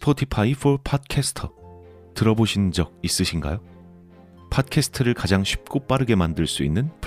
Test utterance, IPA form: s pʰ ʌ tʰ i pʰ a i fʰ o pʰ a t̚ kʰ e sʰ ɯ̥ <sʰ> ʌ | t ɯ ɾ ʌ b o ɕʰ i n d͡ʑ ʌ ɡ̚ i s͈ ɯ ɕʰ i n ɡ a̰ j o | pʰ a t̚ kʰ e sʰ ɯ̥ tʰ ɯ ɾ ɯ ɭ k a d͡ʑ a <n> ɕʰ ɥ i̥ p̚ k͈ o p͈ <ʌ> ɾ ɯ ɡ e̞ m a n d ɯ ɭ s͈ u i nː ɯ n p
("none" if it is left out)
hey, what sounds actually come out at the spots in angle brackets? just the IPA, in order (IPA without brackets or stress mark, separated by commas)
tʰ, ŋ, a